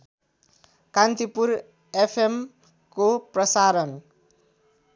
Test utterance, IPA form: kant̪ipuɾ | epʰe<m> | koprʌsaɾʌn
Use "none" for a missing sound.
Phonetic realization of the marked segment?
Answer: m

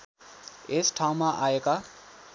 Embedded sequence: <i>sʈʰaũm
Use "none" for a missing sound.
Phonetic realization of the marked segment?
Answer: e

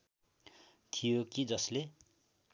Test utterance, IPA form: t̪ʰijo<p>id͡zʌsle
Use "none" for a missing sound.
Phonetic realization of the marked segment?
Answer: k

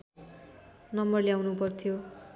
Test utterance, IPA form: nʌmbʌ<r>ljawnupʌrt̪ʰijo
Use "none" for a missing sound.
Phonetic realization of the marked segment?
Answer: r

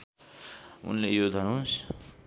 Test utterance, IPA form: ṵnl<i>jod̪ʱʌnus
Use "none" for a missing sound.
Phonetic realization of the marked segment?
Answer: e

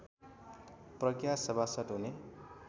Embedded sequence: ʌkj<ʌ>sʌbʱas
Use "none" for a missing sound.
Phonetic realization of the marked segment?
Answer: a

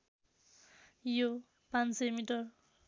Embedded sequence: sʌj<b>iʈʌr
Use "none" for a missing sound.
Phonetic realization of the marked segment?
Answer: m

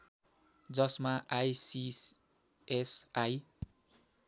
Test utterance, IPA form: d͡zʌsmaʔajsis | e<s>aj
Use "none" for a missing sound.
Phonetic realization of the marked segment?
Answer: s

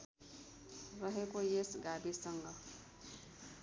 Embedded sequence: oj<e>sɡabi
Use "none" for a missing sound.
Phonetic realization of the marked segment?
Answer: e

